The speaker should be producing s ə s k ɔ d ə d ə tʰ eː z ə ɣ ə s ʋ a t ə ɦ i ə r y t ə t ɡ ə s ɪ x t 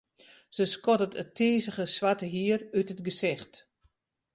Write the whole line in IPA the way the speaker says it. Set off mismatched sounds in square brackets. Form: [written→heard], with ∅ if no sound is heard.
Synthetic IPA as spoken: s ə s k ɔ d ə [d→t] ə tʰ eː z ə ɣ ə s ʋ a t ə ɦ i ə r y t ə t ɡ ə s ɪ x t